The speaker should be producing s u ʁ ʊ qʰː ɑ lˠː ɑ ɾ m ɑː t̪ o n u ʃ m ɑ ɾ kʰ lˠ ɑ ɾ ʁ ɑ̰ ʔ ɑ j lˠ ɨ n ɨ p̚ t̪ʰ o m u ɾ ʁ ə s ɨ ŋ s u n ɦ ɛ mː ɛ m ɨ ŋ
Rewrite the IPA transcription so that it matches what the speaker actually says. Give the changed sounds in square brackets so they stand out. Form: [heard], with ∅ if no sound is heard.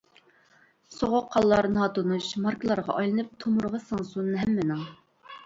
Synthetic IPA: s [o] ʁ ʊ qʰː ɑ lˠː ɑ ɾ [n] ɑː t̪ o n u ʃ m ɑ ɾ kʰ lˠ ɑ ɾ ʁ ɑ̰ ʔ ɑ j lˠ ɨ n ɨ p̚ t̪ʰ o m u ɾ ʁ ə s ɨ ŋ s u n ɦ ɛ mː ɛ [n] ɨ ŋ